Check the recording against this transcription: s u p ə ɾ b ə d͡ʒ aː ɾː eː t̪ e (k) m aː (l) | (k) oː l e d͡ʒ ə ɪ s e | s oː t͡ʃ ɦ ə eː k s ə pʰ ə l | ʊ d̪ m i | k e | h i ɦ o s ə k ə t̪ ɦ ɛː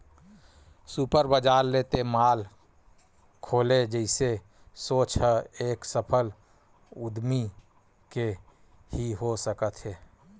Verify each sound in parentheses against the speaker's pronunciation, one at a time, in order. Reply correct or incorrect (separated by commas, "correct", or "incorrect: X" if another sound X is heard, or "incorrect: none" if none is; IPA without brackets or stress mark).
incorrect: none, correct, incorrect: kʰ